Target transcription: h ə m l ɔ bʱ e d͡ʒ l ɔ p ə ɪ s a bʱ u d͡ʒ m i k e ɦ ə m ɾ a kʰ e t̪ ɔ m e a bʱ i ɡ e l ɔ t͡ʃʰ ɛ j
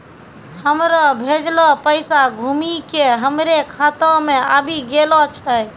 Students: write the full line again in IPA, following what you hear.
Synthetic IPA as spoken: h ə m ɾ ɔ bʱ e d͡ʒ l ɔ p ə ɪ s a ɡʱ u m i k e ɦ ə m ɾ e kʰ a t̪ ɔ m e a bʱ i ɡ e l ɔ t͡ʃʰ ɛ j

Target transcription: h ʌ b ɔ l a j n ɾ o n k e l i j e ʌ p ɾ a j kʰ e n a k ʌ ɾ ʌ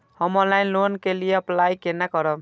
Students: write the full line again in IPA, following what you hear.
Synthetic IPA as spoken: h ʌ m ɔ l a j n l o n k e l i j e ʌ p l a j k e n a k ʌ ɾ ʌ

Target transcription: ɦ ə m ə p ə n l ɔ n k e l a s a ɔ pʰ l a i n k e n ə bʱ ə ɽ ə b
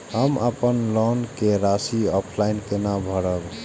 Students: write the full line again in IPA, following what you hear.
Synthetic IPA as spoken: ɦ ə m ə p ə n l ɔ n k e ɾ a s i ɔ pʰ l a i n k e n a bʱ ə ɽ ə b

